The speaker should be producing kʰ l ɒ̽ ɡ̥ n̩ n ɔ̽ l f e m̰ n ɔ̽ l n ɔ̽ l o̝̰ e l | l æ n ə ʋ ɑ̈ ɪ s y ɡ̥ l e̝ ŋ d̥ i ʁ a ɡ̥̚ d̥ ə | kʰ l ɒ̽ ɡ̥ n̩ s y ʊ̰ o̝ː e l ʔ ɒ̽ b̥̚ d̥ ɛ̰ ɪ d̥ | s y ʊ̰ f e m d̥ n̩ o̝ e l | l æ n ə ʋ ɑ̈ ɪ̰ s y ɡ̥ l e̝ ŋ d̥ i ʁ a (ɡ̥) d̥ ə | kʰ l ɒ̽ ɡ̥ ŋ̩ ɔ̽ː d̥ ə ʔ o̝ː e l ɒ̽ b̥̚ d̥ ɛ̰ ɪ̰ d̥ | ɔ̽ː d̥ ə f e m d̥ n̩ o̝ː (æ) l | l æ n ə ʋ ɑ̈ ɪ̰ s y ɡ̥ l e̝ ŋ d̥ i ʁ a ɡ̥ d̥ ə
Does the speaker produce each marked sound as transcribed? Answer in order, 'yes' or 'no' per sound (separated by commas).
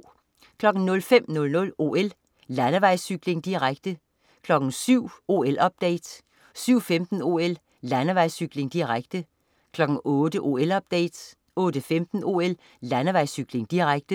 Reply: yes, no